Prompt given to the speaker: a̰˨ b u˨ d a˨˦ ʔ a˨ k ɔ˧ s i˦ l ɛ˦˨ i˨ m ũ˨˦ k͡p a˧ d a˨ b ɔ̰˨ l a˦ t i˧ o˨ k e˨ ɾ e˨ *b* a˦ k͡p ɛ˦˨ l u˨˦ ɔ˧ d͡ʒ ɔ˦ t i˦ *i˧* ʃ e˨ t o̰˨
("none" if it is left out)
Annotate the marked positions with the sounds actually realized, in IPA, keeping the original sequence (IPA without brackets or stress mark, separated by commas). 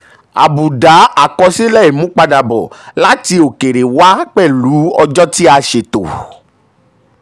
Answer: w, a˧